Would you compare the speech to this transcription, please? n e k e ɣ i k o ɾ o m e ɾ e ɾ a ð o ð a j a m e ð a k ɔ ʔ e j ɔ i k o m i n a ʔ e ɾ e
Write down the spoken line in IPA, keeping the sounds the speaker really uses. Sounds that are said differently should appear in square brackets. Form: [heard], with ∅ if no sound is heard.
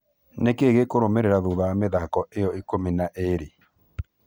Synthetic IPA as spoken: n e k e ɣ [e] k o ɾ o m e ɾ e ɾ a ð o ð a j a m e ð a k ɔ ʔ e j ɔ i k o m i n a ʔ e ɾ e